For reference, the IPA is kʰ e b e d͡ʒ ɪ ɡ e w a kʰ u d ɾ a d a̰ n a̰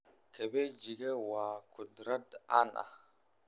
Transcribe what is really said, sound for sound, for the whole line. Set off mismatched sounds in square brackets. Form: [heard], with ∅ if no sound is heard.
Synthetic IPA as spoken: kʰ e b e d͡ʒ [i] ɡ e w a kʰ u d ɾ a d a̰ n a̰